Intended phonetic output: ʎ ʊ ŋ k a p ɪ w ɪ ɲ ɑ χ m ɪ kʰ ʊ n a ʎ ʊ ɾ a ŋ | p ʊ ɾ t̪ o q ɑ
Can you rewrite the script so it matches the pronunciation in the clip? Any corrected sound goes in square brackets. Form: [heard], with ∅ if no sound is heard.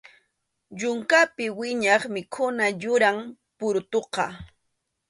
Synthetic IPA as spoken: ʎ ʊ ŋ k a p ɪ w ɪ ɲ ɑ χ m ɪ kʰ ʊ n a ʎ ʊ ɾ a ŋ | p ʊ ɾ t̪ o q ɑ